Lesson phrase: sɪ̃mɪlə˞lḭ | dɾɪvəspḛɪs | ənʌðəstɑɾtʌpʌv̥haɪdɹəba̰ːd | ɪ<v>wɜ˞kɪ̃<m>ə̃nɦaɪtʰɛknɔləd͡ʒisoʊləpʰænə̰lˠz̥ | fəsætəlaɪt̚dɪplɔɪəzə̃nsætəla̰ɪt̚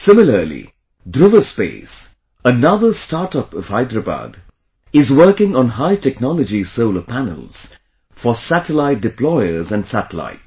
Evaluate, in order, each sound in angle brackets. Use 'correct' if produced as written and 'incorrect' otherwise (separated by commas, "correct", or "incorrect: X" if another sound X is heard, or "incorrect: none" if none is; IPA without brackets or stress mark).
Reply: incorrect: z, incorrect: ŋ